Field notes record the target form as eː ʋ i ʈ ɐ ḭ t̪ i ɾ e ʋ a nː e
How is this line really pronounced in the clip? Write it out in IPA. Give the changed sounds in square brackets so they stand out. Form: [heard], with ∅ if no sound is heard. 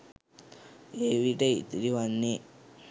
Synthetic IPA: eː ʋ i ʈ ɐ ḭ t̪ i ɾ [i] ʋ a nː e